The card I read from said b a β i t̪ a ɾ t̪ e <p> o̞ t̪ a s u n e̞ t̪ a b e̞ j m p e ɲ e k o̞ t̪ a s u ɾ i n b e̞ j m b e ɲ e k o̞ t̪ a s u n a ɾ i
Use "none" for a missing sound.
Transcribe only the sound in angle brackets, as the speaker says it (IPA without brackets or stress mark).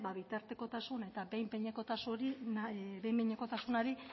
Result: k